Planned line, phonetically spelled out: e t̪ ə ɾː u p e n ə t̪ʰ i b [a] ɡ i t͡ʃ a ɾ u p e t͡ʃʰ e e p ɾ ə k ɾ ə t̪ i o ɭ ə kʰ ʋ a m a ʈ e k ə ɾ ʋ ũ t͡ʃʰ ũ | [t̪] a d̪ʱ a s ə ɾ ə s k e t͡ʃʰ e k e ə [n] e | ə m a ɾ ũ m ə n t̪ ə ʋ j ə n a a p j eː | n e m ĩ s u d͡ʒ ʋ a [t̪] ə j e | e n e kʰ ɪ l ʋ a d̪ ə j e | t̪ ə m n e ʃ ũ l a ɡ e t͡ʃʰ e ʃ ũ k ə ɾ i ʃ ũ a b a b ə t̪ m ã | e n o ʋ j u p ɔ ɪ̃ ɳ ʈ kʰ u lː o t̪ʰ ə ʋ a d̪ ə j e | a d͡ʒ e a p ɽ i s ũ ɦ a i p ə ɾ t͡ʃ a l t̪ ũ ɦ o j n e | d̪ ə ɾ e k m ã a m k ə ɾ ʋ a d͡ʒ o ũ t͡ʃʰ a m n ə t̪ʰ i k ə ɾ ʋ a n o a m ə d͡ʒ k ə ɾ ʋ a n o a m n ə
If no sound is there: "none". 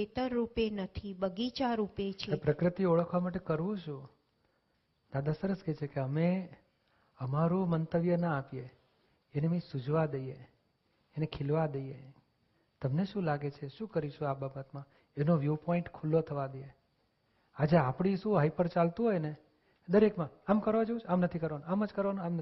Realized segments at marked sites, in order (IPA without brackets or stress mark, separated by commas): ə, d̪, m, d̪